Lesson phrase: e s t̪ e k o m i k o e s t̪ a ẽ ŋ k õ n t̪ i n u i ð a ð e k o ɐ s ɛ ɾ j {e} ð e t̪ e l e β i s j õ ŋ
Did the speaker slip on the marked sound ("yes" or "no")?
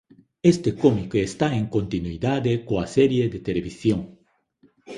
no